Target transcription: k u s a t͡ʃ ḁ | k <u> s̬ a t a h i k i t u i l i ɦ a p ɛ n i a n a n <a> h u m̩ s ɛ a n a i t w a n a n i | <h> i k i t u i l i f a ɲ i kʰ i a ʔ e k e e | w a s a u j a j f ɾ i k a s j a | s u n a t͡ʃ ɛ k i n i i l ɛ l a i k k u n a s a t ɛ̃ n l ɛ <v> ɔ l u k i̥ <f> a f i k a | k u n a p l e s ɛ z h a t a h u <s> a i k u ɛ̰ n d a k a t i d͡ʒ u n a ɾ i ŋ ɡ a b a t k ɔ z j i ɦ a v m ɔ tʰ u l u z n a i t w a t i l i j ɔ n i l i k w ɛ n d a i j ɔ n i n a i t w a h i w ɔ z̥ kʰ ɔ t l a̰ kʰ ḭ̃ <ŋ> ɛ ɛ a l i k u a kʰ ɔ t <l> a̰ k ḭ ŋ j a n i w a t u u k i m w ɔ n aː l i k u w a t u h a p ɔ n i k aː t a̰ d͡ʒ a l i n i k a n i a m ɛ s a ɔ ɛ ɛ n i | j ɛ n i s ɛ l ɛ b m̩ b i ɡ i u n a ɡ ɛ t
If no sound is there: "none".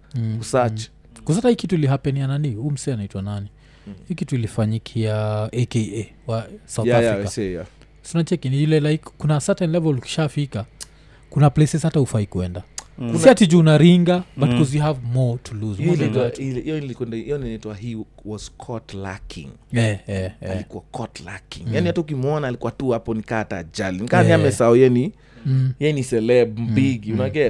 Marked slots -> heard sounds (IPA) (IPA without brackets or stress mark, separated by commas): u, i, h, v, ʃ, f, ŋ, l